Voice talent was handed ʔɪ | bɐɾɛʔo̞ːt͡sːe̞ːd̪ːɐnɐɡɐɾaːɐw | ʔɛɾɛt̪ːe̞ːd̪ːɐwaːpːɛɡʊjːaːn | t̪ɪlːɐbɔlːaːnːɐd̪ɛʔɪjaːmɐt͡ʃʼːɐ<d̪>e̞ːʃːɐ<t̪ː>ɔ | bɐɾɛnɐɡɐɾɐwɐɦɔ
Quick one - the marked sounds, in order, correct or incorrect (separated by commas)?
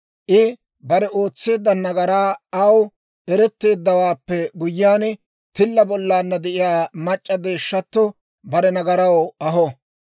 correct, correct